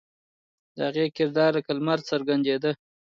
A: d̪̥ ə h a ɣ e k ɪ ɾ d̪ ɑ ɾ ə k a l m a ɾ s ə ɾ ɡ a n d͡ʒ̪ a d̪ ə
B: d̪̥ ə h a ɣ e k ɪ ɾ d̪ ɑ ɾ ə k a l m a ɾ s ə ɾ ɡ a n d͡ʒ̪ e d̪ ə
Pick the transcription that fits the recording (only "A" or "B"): B